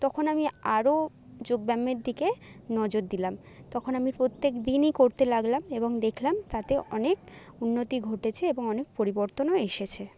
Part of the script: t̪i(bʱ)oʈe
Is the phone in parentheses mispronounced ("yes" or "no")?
yes